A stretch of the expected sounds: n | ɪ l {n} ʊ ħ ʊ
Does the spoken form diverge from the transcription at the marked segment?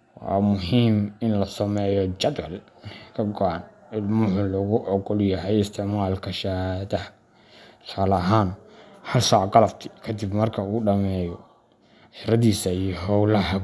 yes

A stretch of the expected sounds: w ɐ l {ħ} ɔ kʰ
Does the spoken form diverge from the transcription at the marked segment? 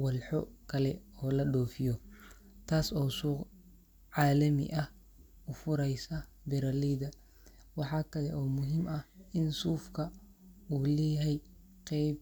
no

